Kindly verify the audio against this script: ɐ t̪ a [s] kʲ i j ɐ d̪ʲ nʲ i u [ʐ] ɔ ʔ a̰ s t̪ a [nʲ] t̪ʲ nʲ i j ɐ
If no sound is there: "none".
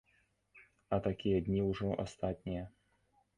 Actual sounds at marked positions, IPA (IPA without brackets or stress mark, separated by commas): none, ʐ, none